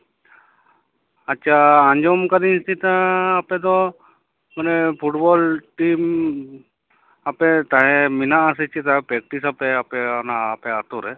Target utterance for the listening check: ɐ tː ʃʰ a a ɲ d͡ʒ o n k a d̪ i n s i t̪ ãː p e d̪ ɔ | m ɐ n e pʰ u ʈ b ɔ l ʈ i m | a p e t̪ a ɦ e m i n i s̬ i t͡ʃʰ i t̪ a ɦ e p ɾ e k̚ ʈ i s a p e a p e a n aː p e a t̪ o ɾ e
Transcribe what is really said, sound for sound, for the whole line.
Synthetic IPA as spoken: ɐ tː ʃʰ a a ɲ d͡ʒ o m k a d̪ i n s i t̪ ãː p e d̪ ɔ | m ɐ n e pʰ u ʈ b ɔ l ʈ i m | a p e t̪ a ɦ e m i n a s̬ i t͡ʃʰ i t̪ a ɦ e p ɾ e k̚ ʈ i s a p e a p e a n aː p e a t̪ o ɾ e